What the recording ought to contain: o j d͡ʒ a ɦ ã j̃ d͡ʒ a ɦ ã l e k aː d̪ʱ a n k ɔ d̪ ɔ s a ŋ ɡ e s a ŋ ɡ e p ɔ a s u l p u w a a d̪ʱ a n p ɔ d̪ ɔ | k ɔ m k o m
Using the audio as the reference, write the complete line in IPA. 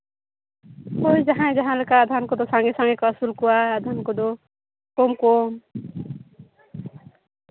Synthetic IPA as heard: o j d͡ʒ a ɦ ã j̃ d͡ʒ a ɦ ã l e k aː d̪ʱ a n k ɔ d̪ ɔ s a ŋ ɡ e s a ŋ ɡ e k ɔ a s u l k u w a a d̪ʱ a n k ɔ d̪ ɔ | k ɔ m k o m